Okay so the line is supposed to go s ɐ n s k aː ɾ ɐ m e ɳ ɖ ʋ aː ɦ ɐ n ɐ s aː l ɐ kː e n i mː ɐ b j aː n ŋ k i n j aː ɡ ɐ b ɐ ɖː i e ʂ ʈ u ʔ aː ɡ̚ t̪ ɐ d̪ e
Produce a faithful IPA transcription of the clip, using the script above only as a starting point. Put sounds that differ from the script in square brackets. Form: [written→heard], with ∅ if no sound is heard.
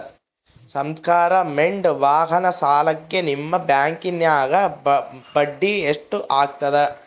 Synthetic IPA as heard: s ɐ [n→m] s k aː ɾ ɐ m e ɳ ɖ ʋ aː ɦ ɐ n ɐ s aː l ɐ kː e n i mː ɐ b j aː [n→∅] ŋ k i n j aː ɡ ɐ b ɐ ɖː i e ʂ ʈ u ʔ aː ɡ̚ t̪ ɐ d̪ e